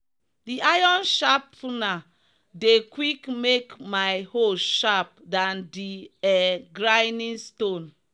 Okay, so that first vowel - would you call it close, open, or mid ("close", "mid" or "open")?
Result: close